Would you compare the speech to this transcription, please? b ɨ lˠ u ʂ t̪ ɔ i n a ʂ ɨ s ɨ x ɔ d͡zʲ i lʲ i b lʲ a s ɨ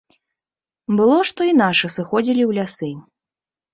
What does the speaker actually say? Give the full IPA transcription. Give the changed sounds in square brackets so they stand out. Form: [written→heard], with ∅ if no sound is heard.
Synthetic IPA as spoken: b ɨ lˠ [u→ɔ] ʂ t̪ ɔ i n a ʂ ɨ s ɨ x ɔ d͡zʲ i lʲ i [b→w] lʲ a s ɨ

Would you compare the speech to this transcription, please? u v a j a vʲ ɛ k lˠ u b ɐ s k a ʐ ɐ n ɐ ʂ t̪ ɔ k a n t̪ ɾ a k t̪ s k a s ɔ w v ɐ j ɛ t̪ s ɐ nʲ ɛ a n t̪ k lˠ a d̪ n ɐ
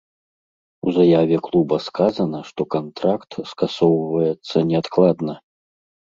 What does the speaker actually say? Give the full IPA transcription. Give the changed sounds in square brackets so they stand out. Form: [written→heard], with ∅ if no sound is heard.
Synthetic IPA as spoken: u [v→z] a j a vʲ ɛ k lˠ u b ɐ s k a [ʐ→z] ɐ n ɐ ʂ t̪ ɔ k a n t̪ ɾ a k t̪ s k a s ɔ w v ɐ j ɛ t̪ [s→sː] ɐ nʲ ɛ a [n→∅] t̪ k lˠ a d̪ n ɐ

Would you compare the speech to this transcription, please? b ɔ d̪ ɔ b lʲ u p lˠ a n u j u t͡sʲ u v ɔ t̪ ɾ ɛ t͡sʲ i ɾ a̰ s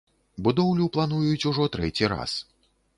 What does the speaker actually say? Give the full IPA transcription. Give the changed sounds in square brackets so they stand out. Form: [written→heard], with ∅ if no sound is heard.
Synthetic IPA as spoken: b [ɔ→u] d̪ ɔ [b→w] lʲ u p lˠ a n u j u t͡sʲ u [v→ʐ] ɔ t̪ ɾ ɛ t͡sʲ i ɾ a̰ s

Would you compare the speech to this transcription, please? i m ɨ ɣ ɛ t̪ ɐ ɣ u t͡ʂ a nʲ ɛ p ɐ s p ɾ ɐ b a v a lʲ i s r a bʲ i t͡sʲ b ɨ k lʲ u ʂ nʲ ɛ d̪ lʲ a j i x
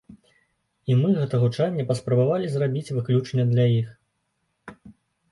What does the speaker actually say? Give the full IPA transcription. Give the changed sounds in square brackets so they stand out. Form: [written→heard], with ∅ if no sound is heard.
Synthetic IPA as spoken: i m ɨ ɣ ɛ t̪ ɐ ɣ u t͡ʂ a [nʲ→nʲː] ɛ p ɐ s p ɾ ɐ b a v a lʲ i [s→z] r a bʲ i t͡sʲ [b→v] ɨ k lʲ u [ʂ→t͡ʂ] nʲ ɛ d̪ lʲ a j i x

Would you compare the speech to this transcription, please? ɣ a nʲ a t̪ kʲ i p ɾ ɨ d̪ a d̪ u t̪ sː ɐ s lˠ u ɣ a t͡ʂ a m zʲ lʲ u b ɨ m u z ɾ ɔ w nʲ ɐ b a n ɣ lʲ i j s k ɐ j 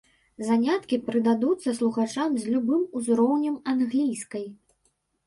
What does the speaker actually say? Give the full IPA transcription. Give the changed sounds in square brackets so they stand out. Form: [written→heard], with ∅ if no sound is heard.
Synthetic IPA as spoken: [ɣ→z] a nʲ a t̪ kʲ i p ɾ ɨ d̪ a d̪ u t̪ sː ɐ s lˠ u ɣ a t͡ʂ a m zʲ lʲ u b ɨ m u z ɾ ɔ w nʲ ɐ [b→m] a n ɣ lʲ i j s k ɐ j

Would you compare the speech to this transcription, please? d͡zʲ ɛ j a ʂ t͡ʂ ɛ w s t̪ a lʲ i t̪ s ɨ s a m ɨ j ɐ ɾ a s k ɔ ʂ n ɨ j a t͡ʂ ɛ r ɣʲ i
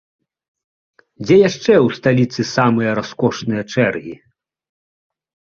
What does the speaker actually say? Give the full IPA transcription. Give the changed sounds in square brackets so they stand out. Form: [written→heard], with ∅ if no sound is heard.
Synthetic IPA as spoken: d͡zʲ ɛ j a ʂ t͡ʂ ɛ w s t̪ a lʲ i t̪ s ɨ s a m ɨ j ɐ ɾ a s k ɔ ʂ n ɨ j [a→ɐ] t͡ʂ ɛ r ɣʲ i

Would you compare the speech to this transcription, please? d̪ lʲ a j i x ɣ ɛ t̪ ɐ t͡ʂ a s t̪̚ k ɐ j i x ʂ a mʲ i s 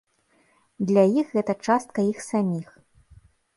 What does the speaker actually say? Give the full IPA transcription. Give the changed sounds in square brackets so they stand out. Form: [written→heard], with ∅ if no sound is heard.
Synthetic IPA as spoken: d̪ lʲ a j i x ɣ ɛ t̪ ɐ t͡ʂ a s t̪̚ k ɐ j i x [ʂ→s] a mʲ i [s→x]

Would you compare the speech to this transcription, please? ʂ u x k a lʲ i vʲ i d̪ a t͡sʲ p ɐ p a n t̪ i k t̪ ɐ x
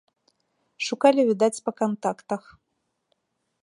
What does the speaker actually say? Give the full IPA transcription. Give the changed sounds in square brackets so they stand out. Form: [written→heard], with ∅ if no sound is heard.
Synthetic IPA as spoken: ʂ u [x→∅] k a lʲ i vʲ i d̪ a t͡sʲ p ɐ [p→k] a n t̪ [i→a] k t̪ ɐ x

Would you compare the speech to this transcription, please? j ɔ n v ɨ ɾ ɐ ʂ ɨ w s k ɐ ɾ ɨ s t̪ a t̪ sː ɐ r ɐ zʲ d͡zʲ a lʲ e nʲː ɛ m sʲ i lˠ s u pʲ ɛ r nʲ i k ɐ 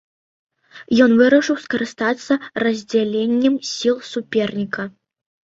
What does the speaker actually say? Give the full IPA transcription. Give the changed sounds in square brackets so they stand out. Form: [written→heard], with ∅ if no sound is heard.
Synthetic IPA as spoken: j ɔ n v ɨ ɾ ɐ ʂ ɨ w s k ɐ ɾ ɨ s t̪ a t̪ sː ɐ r ɐ zʲ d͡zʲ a lʲ e nʲː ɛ m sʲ i lˠ s u pʲ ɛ r nʲ i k ɐ

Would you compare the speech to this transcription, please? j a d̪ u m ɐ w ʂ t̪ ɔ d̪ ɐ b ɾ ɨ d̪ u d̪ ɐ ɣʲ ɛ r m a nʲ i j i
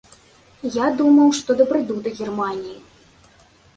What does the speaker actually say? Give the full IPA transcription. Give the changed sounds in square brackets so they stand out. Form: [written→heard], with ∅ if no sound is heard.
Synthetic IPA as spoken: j a d̪ u m ɐ w ʂ t̪ ɔ d̪ ɐ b ɾ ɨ d̪ u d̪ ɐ ɣʲ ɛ r m a nʲ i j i

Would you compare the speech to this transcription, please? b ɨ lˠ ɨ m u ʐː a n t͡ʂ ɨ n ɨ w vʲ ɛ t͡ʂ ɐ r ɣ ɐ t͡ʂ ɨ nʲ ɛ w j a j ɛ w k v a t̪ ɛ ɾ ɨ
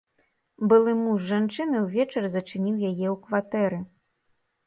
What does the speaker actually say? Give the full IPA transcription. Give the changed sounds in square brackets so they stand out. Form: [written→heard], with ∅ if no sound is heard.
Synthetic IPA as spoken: b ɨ lˠ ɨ m u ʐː a n t͡ʂ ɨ n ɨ w vʲ ɛ t͡ʂ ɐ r [ɣ→z] ɐ t͡ʂ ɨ nʲ [ɛ→i] w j a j ɛ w k v a t̪ ɛ ɾ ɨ

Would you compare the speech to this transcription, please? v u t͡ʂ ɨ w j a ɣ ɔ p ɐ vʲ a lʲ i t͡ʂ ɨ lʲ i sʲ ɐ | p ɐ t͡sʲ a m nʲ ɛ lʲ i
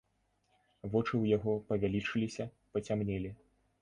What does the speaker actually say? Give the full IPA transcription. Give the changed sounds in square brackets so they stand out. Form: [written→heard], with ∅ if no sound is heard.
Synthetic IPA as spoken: v [u→ɔ] t͡ʂ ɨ w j a ɣ ɔ p ɐ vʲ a lʲ i t͡ʂ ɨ lʲ i sʲ ɐ | p ɐ t͡sʲ a m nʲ ɛ lʲ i

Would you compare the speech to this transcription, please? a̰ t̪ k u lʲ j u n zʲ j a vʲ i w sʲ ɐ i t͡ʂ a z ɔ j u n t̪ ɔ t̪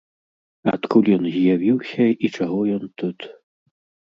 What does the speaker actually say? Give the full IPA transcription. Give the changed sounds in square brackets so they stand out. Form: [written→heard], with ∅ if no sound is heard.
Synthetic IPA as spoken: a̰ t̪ k u lʲ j [u→ɔ] n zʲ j a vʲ i w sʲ ɐ i t͡ʂ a [z→ɣ] ɔ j [u→ɔ] n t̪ [ɔ→u] t̪

